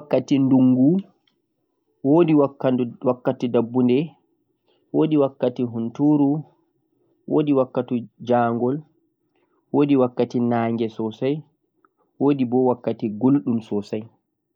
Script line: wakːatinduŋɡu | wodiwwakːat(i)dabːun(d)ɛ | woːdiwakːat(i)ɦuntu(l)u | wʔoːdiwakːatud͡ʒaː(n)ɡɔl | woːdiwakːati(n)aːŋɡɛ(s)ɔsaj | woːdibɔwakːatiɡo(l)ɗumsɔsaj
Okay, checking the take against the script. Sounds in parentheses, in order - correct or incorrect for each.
correct, correct, correct, incorrect, incorrect, correct, correct, correct

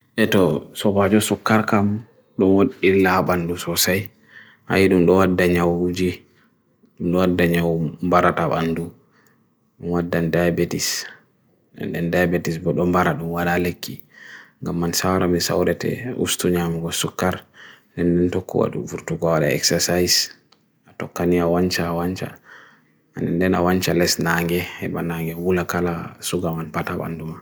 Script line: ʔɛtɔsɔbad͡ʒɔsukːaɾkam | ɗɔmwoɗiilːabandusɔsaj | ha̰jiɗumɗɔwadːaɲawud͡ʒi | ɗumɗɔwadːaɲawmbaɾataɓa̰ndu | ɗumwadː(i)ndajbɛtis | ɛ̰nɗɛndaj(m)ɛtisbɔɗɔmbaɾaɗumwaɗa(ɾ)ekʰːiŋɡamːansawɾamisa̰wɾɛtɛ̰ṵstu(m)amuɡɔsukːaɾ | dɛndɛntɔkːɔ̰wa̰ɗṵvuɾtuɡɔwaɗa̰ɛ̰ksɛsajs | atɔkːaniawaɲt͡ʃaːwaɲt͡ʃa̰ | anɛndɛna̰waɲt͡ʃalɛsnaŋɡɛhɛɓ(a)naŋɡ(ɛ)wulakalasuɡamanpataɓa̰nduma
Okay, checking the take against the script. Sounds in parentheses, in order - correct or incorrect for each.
incorrect, incorrect, incorrect, incorrect, correct, correct

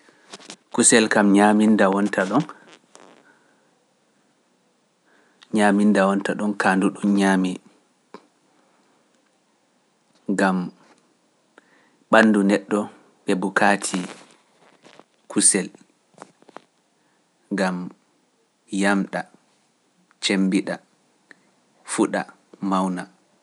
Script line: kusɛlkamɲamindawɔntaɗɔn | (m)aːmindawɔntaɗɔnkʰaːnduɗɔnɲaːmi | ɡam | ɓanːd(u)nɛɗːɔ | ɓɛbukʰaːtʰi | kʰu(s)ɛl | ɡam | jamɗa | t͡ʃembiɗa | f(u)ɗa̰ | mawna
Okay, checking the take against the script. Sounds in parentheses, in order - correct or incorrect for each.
incorrect, correct, correct, correct

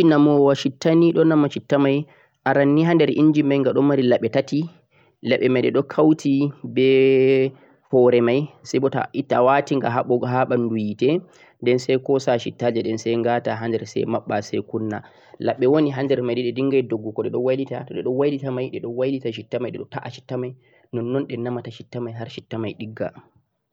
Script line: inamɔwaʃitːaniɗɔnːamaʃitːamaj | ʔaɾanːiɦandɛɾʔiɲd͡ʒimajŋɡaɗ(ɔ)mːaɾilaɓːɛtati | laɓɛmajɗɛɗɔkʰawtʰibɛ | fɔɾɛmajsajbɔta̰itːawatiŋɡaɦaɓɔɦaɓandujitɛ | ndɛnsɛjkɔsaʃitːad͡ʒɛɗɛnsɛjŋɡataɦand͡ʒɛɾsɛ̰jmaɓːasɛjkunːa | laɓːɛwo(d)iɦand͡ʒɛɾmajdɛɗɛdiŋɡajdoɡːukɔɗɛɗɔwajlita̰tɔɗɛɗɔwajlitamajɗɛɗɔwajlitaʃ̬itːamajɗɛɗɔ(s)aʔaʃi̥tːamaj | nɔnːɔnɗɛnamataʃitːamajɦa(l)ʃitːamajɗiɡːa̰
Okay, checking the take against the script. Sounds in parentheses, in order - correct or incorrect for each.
correct, incorrect, incorrect, incorrect

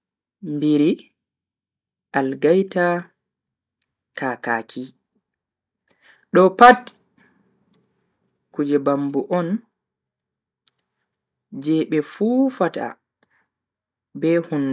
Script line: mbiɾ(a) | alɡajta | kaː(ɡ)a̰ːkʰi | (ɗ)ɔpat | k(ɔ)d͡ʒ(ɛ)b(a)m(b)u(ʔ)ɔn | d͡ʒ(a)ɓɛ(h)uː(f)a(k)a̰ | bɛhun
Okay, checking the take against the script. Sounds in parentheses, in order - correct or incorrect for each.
incorrect, incorrect, correct, incorrect, correct, correct, correct, correct, incorrect, incorrect, correct, incorrect

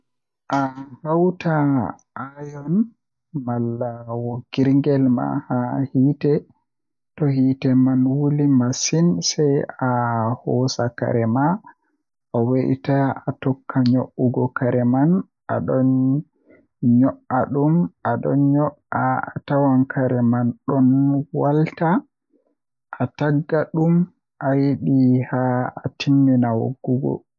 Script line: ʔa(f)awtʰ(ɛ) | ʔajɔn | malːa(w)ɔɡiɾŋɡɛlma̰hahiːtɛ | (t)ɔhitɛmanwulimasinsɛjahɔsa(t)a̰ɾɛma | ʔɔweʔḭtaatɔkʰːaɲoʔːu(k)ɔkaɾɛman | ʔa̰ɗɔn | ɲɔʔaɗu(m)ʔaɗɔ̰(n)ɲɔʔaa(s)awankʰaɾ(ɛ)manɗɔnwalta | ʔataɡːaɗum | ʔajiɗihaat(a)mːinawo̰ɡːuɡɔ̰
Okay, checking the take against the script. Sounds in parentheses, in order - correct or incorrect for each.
incorrect, incorrect, correct, correct, incorrect, incorrect, correct, correct, incorrect, correct, incorrect

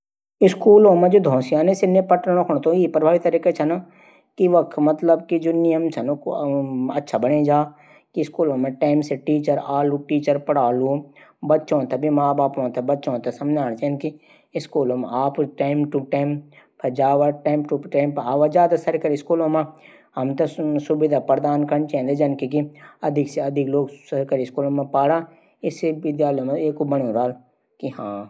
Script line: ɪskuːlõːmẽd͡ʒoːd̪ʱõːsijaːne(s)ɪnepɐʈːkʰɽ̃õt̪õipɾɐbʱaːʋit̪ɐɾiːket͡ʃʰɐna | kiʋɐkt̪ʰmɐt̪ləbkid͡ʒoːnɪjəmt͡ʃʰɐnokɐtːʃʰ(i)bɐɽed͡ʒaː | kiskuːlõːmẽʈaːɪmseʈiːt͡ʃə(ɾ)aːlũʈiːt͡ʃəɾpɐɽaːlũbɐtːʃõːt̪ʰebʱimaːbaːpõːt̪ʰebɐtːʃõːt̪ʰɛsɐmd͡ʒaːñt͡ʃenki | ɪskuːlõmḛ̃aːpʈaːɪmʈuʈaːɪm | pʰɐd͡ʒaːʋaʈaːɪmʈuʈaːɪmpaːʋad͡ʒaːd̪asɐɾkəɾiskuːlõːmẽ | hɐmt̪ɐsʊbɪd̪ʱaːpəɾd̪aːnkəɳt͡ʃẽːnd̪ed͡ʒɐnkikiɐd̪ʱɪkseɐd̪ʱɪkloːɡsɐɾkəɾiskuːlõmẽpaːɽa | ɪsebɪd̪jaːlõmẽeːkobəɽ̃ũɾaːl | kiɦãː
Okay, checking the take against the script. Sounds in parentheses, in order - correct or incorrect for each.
correct, incorrect, correct

